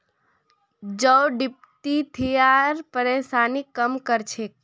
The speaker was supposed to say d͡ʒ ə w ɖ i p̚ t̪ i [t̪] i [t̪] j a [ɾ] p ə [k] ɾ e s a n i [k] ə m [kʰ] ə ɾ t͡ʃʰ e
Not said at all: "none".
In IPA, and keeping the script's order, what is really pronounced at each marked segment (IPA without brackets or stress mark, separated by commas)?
t̪ʰ, none, ɾ, none, k, k